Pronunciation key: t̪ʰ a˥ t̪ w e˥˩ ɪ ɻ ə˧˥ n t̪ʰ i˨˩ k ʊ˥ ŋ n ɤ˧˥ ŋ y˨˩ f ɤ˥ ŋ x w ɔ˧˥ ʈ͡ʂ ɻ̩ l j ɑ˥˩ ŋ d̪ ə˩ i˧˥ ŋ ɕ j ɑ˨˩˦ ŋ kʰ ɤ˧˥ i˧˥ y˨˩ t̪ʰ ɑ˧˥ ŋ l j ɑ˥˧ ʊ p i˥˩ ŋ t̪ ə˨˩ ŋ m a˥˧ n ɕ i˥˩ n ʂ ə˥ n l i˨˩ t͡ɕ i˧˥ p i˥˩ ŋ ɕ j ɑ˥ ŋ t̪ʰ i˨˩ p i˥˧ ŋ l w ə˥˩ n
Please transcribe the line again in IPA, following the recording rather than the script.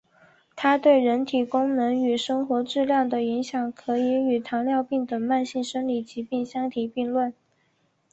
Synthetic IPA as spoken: t̪ʰ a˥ t̪ w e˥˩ ɪ ɻ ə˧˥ n t̪ʰ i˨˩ k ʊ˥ ŋ n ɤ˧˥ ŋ y˨˩ ʂ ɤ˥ ŋ x w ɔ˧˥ ʈ͡ʂ ɻ̩ l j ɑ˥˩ ŋ d̪ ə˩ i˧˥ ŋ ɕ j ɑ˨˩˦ ŋ kʰ ɤ˧˥ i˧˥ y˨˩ t̪ʰ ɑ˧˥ ŋ l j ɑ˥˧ ʊ p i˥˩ ŋ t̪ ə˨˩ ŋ m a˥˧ n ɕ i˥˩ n ʂ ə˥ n l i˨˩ t͡ɕ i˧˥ p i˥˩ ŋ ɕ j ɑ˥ ŋ t̪ʰ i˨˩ p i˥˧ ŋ l w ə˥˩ n

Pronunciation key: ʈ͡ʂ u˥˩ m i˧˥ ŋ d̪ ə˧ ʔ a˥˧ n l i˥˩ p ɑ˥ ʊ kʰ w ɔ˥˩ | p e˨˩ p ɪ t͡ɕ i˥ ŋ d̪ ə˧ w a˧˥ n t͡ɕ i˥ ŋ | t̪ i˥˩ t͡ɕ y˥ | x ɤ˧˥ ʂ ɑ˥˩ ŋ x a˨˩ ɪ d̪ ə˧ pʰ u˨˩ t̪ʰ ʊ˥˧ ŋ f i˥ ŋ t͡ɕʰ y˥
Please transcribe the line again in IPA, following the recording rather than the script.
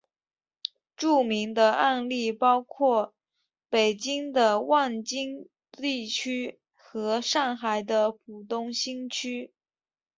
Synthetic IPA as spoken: ʈ͡ʂ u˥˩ m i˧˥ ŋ d̪ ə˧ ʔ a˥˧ n l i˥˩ p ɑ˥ ʊ kʰ w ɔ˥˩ | p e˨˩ ɪ t͡ɕ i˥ ŋ d̪ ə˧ w a˥˩ n t͡ɕ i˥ ŋ | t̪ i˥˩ t͡ɕʰ y˥ | x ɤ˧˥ ʂ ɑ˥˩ ŋ x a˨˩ ɪ d̪ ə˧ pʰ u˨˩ t̪ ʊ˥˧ ŋ ɕ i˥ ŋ t͡ɕʰ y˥

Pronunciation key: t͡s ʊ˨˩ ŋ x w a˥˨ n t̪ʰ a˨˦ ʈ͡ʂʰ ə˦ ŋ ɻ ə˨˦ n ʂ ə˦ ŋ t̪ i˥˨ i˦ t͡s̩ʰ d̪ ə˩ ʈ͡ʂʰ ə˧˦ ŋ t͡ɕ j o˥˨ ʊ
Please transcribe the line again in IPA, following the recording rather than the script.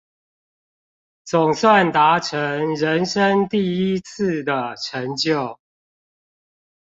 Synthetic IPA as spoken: t͡s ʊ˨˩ ŋ s w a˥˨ n t̪ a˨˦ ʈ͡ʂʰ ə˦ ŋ ɻ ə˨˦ n ʂ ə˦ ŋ t̪ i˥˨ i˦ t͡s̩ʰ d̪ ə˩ ʈ͡ʂʰ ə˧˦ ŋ t͡ɕ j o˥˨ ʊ

